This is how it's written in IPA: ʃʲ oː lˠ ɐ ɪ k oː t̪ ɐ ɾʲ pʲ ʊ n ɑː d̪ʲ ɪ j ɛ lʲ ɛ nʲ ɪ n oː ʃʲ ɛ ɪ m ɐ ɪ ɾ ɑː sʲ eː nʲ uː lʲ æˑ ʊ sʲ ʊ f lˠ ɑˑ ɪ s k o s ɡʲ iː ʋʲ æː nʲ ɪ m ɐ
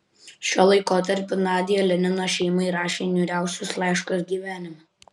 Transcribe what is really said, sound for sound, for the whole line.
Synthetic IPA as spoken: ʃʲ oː lˠ ɐ ɪ k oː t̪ ɐ ɾʲ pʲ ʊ n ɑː d̪ʲ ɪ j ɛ lʲ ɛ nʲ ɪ n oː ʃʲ ɛ ɪ m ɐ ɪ ɾ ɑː ʃʲ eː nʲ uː ɾʲ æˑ ʊ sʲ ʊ s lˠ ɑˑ ɪ ʃ k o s ɡʲ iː ʋʲ æː nʲ ɪ m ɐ

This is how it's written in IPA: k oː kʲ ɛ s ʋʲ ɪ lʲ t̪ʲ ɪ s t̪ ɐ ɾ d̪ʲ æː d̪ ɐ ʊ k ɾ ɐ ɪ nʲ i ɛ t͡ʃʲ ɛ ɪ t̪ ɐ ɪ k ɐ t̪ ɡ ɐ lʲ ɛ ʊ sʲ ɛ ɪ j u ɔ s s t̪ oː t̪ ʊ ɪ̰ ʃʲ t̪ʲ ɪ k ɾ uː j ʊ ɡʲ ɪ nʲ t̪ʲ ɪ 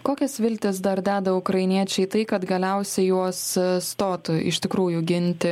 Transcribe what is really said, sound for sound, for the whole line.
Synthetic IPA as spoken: k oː kʲ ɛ s ʋʲ ɪ lʲ t̪ʲ ɪ s d̪ ɐ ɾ d̪ʲ æː d̪ ɐ ʊ k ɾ ɐ ɪ nʲ i ɛ t͡ʃʲ ɛ ɪ t̪ ɐ ɪ k ɐ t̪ ɡ ɐ lʲ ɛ ʊ sʲ ɛ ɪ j u ɔ s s t̪ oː t̪ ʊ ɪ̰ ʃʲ t̪ʲ ɪ k ɾ uː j ʊ ɡʲ ɪ nʲ t̪ʲ ɪ

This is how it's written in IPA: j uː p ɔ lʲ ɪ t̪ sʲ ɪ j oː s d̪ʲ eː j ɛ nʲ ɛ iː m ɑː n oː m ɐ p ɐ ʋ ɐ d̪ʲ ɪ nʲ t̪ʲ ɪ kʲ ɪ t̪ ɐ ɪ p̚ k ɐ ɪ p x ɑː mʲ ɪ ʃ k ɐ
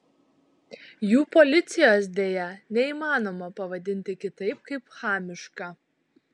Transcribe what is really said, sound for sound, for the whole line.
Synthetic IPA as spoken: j uː p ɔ lʲ ɪ t̪ sʲ ɪ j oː s d̪ʲ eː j ɛ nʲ ɛ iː m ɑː n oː m ɐ p ɐ ʋ ɐ d̪ʲ ɪ nʲ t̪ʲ ɪ kʲ ɪ t̪ ɐ ɪ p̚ k ɐ ɪ p x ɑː mʲ ɪ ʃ k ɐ

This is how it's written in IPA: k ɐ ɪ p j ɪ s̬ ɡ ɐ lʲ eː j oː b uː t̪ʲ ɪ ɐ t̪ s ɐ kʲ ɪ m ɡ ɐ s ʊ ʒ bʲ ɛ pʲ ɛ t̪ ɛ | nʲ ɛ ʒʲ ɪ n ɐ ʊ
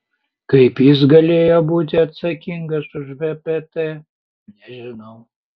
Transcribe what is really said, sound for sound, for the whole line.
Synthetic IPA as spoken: k ɐ ɪ p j ɪ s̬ ɡ ɐ lʲ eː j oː b uː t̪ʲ ɪ ɐ t̪ s ɐ kʲ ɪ ŋ ɡ ɐ s ʊ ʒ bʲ ɛ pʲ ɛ t̪ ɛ | nʲ ɛ ʒʲ ɪ n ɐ ʊ

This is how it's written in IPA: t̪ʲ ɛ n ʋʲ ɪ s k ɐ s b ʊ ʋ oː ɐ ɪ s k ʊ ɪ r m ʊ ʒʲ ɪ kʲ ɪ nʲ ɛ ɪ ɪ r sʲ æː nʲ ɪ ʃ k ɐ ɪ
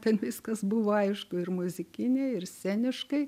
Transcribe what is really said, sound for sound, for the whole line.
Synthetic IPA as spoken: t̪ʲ ɛ n ʋʲ ɪ s k ɐ s b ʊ ʋ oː ɐ ɪ ʃ k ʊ ɪ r m ʊ zʲ ɪ kʲ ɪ nʲ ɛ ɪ ɪ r sʲ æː nʲ ɪ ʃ k ɐ ɪ

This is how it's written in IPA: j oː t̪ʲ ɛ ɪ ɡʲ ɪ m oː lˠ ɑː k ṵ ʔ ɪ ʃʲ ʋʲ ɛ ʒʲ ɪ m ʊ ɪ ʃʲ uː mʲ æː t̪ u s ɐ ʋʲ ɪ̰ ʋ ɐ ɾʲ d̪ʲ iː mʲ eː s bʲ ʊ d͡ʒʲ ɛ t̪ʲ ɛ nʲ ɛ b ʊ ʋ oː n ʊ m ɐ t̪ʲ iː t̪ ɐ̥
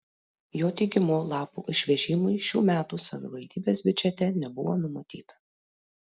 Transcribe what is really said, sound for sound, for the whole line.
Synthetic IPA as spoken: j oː t̪ʲ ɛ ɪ ɡʲ ɪ m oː lˠ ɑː p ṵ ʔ ɪ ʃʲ ʋʲ ɛ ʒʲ ɪ m ʊ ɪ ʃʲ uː mʲ æː t̪ u s ɐ ʋʲ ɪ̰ ʋ ɐ lʲ d̪ʲ iː bʲ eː s bʲ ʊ d͡ʒʲ ɛ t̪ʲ ɛ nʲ ɛ b ʊ ʋ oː n ʊ m ɐ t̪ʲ iː t̪ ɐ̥

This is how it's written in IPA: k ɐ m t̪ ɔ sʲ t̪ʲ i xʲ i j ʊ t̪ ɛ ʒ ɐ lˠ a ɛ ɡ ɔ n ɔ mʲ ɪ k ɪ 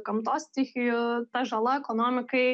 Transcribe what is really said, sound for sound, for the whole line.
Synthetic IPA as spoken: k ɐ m t̪ ɔ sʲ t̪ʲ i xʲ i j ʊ t̪ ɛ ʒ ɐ lˠ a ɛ k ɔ n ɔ mʲ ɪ k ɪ

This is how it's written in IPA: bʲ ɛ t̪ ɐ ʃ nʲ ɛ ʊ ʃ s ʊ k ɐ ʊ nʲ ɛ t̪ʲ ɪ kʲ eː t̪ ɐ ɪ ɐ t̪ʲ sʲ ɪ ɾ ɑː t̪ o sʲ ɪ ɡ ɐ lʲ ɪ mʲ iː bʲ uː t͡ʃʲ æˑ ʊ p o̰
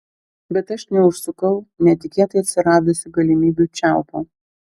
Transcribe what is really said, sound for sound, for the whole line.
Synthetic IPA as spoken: bʲ ɛ t̪ ɐ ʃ nʲ ɛ ʊ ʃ s ʊ k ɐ ʊ nʲ ɛ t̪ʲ ɪ kʲ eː t̪ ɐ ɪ ɐ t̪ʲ sʲ ɪ ɾ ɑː d̪ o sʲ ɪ ɡ ɐ lʲ ɪ mʲ iː bʲ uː t͡ʃʲ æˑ ʊ p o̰

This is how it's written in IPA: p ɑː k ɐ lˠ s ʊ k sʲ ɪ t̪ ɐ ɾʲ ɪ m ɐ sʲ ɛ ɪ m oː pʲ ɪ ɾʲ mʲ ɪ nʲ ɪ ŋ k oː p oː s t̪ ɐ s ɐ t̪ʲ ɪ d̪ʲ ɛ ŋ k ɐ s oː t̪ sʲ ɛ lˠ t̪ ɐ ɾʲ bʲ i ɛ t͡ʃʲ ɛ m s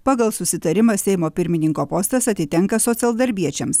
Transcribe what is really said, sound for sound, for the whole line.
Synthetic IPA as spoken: p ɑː ɡ ɐ lˠ s ʊ sʲ ɪ t̪ ɐ ɾʲ ɪ m ɐ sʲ ɛ ɪ m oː pʲ ɪ ɾʲ mʲ ɪ nʲ ɪ ŋ k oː p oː s t̪ ɐ s ɐ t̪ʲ ɪ t̪ʲ ɛ ŋ k ɐ s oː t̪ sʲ ɛ lˠ d̪ ɐ ɾʲ bʲ i ɛ t͡ʃʲ ɛ m s

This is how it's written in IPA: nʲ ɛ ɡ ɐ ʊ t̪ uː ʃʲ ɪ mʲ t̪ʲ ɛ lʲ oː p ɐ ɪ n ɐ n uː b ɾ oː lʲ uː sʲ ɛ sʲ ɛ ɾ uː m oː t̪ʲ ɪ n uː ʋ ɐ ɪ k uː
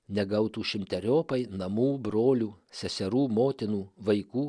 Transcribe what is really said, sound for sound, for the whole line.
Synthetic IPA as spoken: nʲ ɛ ɡ ɐ ʊ t̪ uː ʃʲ ɪ mʲ t̪ʲ ɛ ɾʲ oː p ɐ ɪ n ɐ m uː b ɾ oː lʲ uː sʲ ɛ sʲ ɛ ɾ uː m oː t̪ʲ ɪ n uː ʋ ɐ ɪ k uː

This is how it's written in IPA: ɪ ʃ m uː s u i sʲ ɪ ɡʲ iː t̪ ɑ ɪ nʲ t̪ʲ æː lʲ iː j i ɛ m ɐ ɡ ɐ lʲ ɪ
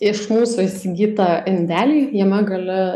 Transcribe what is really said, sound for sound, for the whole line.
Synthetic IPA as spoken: ɪ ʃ m uː s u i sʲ ɪ ɡʲ iː t̪ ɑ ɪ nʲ d̪ʲ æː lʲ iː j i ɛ m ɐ ɡ ɐ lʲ ɪ

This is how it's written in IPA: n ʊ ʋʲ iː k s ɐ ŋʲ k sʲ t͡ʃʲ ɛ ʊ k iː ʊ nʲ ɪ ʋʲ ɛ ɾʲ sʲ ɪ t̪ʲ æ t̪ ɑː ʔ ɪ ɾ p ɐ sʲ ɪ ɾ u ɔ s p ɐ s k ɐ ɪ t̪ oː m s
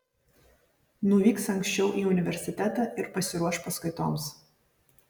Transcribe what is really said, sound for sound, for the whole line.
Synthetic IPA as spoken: n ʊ ʋʲ iː k s ɐ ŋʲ k sʲ t͡ʃʲ ɛ ʊ ʔ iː ʊ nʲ ɪ ʋʲ ɛ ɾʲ sʲ ɪ t̪ʲ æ t̪ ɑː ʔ ɪ ɾ p ɐ sʲ ɪ ɾ u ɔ ʃ p ɐ s k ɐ ɪ t̪ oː m s

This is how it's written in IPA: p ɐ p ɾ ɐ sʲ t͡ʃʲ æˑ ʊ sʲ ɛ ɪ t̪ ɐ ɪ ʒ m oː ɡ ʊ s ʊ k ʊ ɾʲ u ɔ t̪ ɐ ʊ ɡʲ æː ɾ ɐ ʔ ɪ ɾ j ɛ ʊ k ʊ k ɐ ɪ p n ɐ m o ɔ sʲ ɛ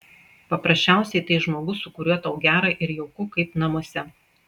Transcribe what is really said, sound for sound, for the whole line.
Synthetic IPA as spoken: p ɐ p ɾ ɐ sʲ t͡ʃʲ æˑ ʊ sʲ ɛ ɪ t̪ ɐ ɪ ʒ m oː ɡ ʊ s ʊ k ʊ ɾʲ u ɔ t̪ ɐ ʊ ɡʲ æː ɾ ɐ ʔ ɪ ɾ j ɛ ʊ k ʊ k ɐ ɪ p n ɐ m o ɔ sʲ ɛ

